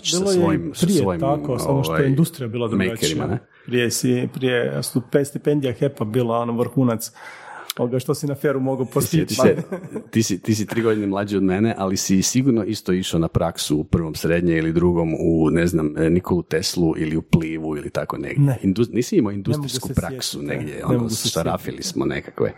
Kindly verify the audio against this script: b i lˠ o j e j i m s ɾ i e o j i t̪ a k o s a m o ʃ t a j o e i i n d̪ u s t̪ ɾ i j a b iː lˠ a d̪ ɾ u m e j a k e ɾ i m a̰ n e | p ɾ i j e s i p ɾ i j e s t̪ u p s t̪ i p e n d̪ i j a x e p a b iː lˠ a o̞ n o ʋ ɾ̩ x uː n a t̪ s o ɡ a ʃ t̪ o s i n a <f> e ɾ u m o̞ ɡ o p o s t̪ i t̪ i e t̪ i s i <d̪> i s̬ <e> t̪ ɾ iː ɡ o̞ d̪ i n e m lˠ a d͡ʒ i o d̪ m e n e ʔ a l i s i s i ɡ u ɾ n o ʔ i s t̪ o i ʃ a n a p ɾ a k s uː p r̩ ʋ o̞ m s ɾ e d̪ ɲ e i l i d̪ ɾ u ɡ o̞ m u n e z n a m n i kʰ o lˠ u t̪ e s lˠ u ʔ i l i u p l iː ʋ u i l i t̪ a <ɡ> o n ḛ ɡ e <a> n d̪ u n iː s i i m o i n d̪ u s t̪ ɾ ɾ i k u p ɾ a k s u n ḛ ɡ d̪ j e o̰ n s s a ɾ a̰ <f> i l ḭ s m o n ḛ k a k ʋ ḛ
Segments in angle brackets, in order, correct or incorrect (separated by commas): correct, incorrect, incorrect, incorrect, incorrect, correct